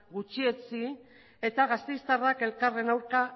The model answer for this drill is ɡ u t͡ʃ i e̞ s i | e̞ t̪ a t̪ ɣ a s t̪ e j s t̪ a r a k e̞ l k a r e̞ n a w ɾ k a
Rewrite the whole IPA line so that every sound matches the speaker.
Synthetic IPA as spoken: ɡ u t͡ʃ i e̞ t͡s i | e̞ t̪ a ɣ a s t̪ e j s t̪ a r a k e̞ l k a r e̞ n a w ɾ k a